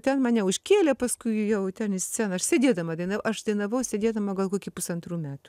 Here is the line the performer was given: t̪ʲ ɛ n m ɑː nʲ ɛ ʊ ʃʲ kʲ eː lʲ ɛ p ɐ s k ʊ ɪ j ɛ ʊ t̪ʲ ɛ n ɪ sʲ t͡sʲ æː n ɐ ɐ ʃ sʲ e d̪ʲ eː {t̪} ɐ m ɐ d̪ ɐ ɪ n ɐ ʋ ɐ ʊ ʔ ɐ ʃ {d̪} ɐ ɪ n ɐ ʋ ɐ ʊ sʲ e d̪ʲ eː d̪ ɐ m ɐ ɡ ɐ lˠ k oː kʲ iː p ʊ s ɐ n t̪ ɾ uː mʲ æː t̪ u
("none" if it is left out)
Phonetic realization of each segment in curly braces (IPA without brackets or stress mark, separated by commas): d̪, d̪